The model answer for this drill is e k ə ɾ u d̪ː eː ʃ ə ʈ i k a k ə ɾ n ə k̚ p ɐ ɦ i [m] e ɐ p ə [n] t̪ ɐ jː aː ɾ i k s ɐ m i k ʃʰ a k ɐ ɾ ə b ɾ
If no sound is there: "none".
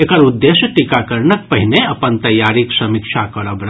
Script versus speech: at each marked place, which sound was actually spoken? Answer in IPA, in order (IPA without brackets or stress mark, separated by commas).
n, n